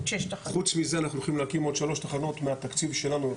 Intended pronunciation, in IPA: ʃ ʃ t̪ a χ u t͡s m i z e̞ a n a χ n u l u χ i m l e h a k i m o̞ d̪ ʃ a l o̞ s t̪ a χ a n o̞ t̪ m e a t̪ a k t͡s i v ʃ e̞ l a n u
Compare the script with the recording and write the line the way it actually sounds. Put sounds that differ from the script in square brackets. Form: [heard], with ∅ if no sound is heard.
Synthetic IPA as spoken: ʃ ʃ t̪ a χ u t͡s m i z e̞ a n a χ n u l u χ i m l e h a k i m o̞ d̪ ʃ a l o̞ [ʃ] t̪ a χ a n o̞ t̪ m e a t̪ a k t͡s i v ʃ e̞ l a n u